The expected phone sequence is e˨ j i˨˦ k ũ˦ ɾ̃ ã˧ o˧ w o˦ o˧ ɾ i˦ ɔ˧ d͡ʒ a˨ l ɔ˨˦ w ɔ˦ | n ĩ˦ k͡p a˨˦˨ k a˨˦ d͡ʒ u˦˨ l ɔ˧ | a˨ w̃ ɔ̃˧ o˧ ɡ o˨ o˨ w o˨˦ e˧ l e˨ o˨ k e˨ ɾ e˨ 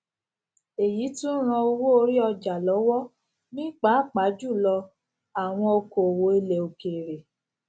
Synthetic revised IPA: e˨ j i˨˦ t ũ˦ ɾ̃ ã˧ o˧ w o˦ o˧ ɾ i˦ ɔ˧ d͡ʒ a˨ l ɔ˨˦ w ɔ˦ | n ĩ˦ k͡p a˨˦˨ k͡p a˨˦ d͡ʒ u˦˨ l ɔ˧ | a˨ w̃ ɔ̃˧ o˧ k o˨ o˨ w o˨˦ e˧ l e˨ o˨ k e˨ ɾ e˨